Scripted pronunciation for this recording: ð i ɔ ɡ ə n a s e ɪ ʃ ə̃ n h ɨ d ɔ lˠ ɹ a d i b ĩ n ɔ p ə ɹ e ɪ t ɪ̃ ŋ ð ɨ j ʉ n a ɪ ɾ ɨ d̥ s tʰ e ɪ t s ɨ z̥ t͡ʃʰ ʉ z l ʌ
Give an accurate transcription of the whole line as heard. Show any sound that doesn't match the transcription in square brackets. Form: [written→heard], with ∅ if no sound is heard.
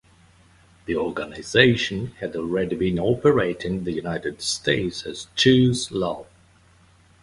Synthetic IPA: ð i ɔ ɡ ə n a [s→z] e ɪ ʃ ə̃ n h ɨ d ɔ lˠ ɹ [a→ɛ] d i b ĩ n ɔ p ə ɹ e ɪ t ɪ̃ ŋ ð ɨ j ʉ n a ɪ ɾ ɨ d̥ s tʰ e ɪ t s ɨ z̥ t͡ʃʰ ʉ z l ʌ